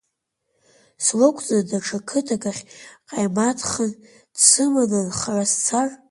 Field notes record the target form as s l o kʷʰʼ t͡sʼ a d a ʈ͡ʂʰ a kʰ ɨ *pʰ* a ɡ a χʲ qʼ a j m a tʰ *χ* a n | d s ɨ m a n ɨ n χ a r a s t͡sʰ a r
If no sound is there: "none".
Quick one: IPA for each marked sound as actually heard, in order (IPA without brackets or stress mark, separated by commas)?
tʰ, χ